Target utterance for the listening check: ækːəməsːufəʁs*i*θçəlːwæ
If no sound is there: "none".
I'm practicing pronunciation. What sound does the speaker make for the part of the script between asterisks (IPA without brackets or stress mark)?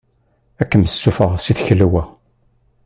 i